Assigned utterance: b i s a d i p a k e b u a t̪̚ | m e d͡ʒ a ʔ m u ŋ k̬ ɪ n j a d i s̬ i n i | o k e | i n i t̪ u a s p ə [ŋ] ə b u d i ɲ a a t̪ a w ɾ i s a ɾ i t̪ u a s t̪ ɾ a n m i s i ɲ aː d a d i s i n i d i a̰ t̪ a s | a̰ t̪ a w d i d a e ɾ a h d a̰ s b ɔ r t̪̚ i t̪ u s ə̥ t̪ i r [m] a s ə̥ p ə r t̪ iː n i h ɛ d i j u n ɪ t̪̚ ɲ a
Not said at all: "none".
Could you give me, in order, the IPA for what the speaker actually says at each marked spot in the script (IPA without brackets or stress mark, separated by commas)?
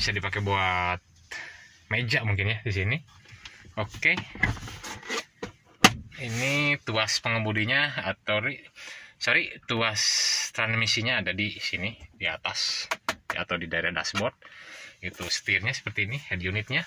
ŋ, ɲ